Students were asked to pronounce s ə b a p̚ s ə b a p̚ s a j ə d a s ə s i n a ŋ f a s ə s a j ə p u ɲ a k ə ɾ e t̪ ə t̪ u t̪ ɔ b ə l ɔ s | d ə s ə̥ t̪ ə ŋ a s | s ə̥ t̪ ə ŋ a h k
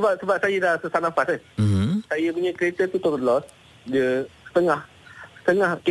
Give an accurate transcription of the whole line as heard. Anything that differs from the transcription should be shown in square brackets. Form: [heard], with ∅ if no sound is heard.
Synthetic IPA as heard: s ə b a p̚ s ə b a p̚ s a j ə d a s ə s [a] n a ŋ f a s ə s a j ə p u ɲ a k ə ɾ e t̪ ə t̪ u t̪ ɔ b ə l ɔ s | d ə s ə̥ t̪ ə ŋ a [h] | s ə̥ t̪ ə ŋ a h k